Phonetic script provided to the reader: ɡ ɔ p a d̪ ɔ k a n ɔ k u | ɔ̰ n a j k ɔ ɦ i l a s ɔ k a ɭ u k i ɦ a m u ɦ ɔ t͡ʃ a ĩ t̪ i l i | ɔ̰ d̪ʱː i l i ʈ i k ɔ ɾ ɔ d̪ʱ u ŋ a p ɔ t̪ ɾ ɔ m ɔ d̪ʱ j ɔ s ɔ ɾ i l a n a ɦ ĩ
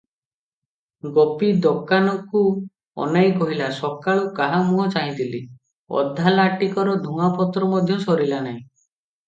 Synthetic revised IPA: ɡ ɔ p i d̪ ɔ k a n ɔ k u | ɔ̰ n a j k ɔ ɦ i l a s ɔ k a ɭ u k a ɦ a m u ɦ ɔ t͡ʃ a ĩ t̪ i l i | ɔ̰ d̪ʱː a l a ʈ i k ɔ ɾ ɔ d̪ʱ u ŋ a p ɔ t̪ ɾ ɔ m ɔ d̪ʱ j ɔ s ɔ ɾ i l a n a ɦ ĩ